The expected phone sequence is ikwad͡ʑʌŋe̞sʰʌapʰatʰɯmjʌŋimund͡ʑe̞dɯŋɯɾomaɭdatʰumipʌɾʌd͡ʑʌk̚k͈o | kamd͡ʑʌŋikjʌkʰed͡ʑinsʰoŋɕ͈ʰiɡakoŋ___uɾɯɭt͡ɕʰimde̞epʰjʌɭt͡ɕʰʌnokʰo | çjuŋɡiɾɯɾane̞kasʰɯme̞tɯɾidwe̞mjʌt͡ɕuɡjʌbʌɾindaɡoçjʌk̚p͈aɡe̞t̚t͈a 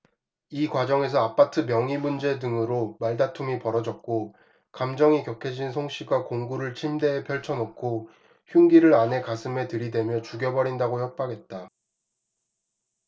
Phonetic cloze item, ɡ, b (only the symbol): ɡ